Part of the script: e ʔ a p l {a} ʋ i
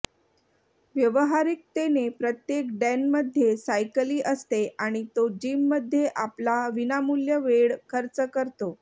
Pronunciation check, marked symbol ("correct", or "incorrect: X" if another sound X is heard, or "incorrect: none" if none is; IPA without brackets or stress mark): correct